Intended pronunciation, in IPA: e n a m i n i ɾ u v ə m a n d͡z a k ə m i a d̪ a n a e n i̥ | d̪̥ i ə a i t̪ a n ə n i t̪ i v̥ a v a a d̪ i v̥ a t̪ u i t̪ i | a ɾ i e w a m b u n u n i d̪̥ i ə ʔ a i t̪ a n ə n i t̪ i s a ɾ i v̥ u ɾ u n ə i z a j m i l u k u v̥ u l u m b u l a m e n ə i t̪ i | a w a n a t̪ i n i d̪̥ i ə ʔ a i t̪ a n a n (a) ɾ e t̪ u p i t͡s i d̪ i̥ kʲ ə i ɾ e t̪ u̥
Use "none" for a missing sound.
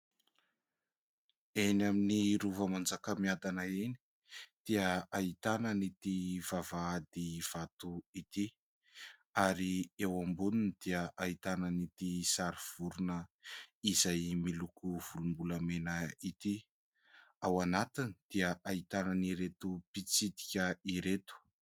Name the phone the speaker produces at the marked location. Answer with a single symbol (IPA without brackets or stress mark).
i